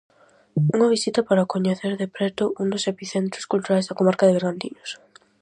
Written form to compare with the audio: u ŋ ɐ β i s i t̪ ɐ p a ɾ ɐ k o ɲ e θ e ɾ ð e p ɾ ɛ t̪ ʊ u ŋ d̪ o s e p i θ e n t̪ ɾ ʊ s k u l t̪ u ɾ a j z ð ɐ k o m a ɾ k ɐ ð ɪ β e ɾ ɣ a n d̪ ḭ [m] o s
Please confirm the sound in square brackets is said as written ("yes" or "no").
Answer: no